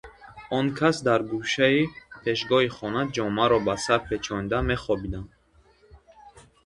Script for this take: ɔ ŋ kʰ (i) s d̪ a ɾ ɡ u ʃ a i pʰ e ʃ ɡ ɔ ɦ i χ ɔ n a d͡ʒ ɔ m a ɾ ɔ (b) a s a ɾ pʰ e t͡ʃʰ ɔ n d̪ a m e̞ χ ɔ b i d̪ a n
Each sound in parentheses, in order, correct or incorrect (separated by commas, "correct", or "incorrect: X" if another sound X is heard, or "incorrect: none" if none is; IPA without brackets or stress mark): incorrect: a, correct